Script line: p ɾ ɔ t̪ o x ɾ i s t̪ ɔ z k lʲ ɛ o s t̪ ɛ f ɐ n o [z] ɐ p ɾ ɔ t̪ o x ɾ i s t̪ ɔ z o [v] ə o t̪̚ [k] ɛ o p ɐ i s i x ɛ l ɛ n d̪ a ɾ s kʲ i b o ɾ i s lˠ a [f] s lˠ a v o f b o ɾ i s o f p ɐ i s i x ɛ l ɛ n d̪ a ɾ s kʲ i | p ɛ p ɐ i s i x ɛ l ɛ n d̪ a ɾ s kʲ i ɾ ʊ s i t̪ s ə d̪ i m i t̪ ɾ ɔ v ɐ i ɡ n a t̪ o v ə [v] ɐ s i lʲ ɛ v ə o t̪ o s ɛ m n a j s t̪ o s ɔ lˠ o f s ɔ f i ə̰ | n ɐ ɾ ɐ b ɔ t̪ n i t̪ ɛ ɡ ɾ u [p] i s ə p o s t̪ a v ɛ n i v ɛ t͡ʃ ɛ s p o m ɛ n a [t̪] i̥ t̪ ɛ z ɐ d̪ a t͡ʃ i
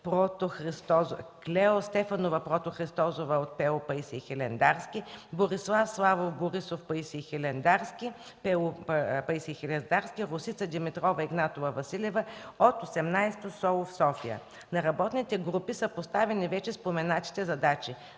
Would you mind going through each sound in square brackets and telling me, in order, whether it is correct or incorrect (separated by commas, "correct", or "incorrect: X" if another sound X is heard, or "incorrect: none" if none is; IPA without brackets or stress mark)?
incorrect: v, correct, incorrect: p, correct, correct, correct, correct